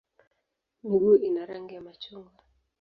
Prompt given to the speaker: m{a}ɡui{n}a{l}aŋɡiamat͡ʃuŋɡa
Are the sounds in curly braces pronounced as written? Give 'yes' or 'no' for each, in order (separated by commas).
no, yes, no